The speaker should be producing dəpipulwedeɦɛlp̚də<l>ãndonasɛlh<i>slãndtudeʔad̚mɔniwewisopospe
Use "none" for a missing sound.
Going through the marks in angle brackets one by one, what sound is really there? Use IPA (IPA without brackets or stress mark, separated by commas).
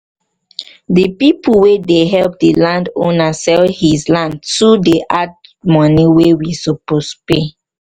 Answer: l, i